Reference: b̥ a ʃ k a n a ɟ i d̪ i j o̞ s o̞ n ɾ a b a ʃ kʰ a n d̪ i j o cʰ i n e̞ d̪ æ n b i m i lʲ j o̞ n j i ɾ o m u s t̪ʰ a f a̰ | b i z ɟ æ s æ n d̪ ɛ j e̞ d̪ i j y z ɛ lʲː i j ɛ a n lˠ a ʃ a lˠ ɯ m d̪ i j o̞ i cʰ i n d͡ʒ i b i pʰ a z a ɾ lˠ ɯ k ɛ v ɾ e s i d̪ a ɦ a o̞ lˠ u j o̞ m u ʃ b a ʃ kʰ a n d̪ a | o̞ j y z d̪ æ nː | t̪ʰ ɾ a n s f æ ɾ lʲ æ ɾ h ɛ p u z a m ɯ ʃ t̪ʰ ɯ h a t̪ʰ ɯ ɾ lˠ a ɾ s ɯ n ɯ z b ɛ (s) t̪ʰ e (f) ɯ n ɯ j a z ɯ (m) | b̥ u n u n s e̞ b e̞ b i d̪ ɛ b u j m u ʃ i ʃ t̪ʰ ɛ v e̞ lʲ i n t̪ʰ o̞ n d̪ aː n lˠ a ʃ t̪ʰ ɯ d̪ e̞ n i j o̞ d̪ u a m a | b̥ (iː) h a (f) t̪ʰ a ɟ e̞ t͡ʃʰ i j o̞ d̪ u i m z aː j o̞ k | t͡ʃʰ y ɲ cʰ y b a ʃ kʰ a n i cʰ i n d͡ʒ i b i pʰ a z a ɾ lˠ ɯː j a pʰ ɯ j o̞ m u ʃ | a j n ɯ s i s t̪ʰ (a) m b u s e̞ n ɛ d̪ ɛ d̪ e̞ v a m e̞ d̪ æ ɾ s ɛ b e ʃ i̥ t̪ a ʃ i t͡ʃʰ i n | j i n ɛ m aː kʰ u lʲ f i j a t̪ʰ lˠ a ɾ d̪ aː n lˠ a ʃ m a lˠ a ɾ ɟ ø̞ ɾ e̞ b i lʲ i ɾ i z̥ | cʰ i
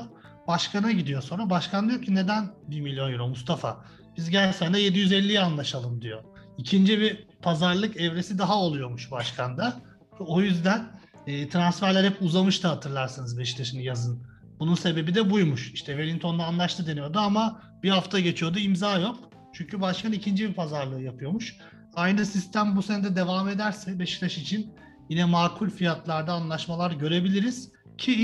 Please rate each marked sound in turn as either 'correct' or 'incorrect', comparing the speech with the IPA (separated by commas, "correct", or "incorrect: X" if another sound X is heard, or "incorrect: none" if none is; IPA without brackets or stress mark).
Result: incorrect: ʃ, incorrect: ʃ, incorrect: n, incorrect: i, correct, incorrect: æ